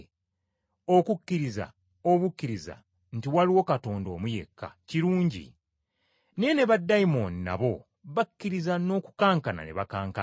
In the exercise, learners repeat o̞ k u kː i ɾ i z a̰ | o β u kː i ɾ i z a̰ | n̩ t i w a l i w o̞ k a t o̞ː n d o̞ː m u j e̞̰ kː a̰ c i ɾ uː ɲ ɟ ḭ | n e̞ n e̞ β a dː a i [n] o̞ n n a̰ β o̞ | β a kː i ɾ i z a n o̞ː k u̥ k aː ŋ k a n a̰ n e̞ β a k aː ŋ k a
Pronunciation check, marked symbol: incorrect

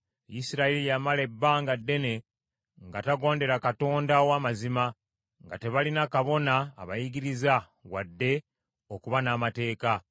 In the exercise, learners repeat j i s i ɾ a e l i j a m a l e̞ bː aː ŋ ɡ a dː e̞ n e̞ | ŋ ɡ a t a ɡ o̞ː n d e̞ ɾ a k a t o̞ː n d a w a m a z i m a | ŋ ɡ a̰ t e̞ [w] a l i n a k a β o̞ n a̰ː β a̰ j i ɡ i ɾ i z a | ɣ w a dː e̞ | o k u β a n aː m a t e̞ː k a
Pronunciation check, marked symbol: incorrect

